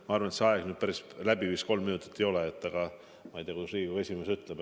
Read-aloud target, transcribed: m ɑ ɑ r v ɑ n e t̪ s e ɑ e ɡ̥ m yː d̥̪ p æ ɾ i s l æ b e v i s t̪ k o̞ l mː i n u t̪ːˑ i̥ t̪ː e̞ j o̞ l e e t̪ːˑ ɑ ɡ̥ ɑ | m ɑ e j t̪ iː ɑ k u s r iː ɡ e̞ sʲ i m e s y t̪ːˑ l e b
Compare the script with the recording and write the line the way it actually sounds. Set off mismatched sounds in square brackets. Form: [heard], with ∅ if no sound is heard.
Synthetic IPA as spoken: m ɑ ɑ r v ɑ n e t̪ s e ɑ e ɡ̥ [n] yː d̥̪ p æ ɾ i s l æ b [i] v i s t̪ k o̞ l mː i n u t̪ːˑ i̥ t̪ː e̞ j o̞ l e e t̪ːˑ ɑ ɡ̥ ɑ | m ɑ e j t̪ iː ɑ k u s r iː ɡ e̞ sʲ i m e s y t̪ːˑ l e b

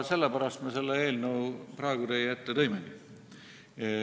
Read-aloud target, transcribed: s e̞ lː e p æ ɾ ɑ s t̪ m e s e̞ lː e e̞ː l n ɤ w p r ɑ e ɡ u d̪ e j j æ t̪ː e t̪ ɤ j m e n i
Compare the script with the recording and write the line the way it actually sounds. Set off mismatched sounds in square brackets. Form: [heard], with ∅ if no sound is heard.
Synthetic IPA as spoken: s e̞ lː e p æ ɾ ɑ s t̪ m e s e̞ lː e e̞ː l n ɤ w p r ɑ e ɡ u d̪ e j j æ t̪ː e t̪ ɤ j m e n i

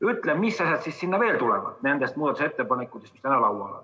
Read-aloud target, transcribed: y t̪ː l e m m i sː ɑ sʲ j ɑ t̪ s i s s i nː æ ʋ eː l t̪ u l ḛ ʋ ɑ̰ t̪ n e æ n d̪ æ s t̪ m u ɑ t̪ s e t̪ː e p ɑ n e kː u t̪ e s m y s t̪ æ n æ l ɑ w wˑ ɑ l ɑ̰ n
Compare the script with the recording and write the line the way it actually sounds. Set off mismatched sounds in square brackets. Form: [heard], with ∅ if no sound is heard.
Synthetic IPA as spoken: y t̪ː l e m m i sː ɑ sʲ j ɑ t̪ s i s s i nː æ ʋ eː l t̪ u l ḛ ʋ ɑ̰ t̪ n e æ n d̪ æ s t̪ m u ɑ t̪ s e t̪ː e p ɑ n e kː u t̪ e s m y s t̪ æ n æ l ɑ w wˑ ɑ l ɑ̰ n

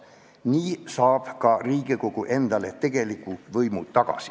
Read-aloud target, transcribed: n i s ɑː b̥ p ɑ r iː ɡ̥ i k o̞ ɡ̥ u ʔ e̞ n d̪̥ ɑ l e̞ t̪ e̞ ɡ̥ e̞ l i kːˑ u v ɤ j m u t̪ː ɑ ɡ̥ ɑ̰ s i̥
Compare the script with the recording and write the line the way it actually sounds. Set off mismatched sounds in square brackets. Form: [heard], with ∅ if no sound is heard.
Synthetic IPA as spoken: n [iː] s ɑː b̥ [k] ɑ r iː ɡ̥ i k o̞ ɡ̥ u ʔ e̞ n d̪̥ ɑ l e̞ t̪ e̞ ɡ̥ e̞ l i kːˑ u v ɤ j m u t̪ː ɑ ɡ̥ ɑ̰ s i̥

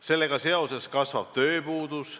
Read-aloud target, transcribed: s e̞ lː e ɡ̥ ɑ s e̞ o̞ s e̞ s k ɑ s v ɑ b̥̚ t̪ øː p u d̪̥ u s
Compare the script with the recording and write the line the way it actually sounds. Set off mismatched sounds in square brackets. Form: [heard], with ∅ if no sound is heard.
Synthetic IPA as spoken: s e̞ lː e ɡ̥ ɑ s e̞ o̞ s e̞ s k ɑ s v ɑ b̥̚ t̪ øː p [uː] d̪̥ u s

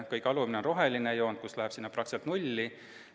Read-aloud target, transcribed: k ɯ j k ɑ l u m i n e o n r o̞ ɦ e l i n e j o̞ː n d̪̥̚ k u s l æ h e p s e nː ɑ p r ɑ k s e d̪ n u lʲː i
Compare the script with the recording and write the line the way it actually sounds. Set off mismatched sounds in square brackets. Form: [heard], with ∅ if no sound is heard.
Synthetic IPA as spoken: k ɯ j k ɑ l u m i n e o n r o̞ ɦ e l i n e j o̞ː n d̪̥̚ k u s l æ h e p s [i] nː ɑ p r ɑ k s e [t̪] n u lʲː i

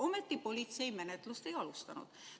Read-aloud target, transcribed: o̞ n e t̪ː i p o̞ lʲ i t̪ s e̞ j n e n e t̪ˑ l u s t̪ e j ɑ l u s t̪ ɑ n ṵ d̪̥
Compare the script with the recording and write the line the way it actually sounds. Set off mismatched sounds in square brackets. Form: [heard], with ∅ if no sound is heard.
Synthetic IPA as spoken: o̞ [m] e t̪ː i p o̞ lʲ i t̪ s e̞ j [m] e n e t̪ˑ l u s t̪ e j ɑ l u s t̪ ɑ n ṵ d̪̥

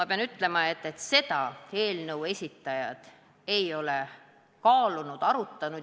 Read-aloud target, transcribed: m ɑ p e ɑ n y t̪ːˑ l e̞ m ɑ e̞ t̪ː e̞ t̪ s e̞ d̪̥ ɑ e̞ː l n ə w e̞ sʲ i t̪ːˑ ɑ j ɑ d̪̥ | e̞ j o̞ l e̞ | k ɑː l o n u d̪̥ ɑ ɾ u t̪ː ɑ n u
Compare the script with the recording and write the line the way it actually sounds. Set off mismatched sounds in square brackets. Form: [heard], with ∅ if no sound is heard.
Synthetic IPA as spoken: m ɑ p e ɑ n y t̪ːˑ l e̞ m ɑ e̞ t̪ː e̞ t̪ s e̞ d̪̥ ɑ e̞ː l n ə w e̞ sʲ i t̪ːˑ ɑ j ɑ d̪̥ | e̞ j o̞ l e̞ | k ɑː l [u] n u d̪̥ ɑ ɾ u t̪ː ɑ n u

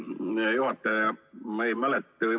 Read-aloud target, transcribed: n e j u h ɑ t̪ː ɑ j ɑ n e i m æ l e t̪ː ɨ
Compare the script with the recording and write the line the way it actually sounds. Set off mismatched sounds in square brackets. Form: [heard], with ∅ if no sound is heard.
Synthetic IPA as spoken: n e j u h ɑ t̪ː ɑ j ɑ [m] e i m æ l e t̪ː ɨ

